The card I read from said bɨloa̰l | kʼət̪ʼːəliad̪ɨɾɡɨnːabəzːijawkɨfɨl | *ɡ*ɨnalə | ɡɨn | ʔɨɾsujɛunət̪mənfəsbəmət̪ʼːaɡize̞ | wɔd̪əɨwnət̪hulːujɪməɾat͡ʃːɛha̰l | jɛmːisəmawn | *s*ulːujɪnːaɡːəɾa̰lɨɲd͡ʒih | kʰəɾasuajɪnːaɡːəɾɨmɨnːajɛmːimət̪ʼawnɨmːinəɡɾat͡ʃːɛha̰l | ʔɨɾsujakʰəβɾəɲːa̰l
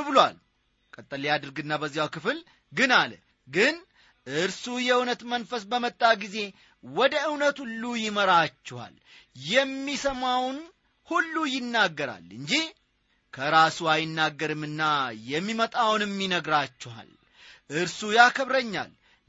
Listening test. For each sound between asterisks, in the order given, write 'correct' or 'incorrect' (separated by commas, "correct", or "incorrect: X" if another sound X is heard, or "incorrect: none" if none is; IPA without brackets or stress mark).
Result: correct, incorrect: h